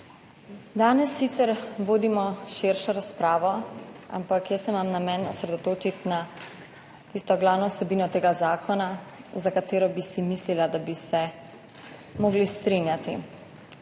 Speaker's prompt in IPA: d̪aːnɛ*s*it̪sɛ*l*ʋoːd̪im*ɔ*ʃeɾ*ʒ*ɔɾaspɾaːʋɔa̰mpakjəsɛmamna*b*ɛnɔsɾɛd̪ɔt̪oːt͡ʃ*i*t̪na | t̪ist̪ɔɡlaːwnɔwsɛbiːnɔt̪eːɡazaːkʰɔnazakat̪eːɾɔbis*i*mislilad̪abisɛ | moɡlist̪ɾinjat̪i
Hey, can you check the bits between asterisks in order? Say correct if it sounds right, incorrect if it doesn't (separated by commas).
incorrect, incorrect, correct, incorrect, incorrect, correct, correct